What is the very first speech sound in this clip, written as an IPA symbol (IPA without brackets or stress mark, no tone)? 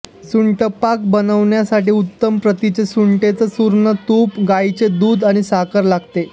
s